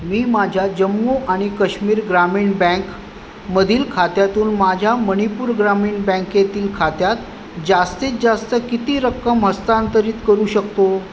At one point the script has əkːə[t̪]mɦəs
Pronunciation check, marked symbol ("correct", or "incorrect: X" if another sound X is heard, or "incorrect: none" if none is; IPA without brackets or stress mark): incorrect: none